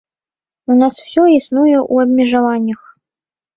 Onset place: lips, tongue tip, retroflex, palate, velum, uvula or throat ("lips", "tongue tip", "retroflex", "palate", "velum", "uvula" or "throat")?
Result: tongue tip